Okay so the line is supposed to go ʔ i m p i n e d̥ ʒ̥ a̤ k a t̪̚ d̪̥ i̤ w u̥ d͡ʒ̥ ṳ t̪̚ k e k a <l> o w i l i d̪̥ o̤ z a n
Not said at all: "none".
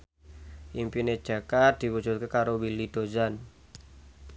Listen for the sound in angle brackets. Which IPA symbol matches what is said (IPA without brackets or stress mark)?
ɾ